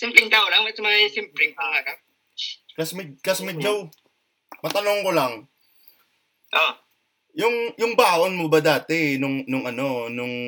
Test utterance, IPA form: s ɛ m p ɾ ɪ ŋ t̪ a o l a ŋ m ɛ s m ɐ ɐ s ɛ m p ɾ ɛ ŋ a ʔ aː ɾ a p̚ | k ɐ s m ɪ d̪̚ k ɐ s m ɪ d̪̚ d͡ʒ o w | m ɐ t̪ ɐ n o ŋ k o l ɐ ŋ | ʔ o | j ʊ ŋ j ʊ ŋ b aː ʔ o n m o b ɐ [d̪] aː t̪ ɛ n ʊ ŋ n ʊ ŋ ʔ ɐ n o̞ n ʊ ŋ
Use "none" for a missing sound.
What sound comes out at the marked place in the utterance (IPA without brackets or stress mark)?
d̪